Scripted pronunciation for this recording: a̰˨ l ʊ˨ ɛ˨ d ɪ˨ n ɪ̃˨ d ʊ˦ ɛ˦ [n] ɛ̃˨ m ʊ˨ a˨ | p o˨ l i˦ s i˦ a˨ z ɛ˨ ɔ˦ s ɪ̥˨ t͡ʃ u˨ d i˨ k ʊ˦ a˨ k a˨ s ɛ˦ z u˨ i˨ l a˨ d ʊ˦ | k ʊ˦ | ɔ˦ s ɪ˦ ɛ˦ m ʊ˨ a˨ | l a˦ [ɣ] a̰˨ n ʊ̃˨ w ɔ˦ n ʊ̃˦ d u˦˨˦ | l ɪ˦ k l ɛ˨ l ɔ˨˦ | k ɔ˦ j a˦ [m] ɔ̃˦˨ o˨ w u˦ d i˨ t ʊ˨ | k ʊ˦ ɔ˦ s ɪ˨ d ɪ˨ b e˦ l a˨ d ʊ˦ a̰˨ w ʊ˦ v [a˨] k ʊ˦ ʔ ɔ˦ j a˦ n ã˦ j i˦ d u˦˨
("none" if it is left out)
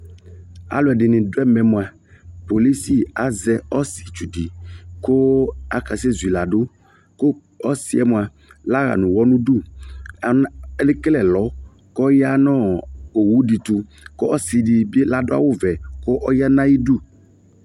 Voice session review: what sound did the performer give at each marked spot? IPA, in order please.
m, ɣ, n, ɛ˨

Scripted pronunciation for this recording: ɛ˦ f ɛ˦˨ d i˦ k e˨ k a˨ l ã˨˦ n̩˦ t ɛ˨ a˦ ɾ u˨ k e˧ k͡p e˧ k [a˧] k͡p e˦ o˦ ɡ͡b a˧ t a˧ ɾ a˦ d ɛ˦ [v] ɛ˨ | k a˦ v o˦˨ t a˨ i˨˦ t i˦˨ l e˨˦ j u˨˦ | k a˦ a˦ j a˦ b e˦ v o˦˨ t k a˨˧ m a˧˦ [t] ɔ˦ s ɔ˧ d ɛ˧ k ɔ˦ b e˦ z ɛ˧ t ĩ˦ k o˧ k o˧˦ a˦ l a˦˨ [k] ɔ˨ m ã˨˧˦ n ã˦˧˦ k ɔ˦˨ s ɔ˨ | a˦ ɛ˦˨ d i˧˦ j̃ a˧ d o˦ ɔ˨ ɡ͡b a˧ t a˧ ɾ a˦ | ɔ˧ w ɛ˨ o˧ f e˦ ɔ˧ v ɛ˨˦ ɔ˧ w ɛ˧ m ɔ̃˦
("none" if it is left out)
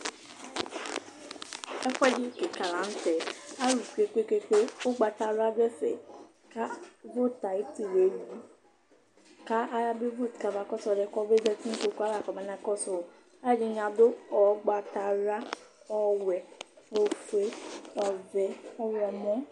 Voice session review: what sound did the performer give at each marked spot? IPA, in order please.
e˧, f, k, k

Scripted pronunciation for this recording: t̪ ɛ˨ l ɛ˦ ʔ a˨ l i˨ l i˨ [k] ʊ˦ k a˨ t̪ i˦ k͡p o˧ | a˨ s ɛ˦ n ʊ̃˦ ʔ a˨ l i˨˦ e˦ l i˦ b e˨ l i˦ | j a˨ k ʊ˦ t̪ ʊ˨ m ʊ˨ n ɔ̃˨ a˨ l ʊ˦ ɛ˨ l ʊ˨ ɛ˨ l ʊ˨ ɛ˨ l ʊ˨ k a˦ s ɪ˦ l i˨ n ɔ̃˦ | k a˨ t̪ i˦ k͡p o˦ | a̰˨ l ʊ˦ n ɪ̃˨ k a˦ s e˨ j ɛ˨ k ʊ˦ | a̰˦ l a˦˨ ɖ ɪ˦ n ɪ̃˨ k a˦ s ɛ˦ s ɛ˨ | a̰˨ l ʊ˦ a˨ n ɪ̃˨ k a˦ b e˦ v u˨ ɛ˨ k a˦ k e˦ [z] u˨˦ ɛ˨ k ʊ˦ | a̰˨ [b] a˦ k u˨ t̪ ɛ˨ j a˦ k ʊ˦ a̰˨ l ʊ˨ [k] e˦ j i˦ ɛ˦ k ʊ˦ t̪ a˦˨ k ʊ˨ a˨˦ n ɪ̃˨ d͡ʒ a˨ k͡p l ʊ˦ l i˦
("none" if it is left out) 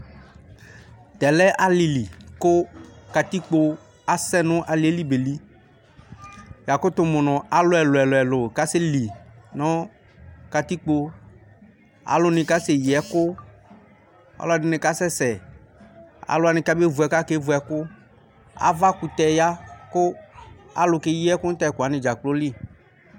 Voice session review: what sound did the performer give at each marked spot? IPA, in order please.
k, v, v, k

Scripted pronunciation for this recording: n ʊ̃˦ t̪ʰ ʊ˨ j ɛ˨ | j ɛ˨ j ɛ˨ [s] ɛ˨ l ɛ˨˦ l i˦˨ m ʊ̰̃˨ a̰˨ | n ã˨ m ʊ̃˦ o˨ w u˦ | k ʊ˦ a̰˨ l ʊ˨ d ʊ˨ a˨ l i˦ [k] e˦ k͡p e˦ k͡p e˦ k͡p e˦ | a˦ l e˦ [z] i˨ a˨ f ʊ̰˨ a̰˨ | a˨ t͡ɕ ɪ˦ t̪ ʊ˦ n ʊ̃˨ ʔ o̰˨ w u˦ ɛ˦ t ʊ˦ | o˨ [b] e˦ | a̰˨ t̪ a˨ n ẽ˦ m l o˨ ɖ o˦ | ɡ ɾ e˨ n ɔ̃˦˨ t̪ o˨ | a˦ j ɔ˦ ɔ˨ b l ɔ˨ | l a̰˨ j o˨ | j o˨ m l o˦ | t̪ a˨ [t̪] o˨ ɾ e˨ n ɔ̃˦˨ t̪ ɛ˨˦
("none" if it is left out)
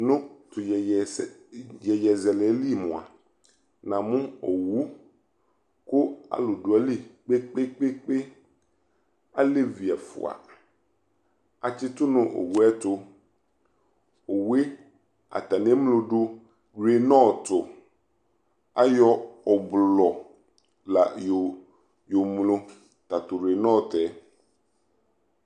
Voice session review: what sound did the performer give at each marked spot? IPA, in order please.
z, k͡p, v, w, t̪

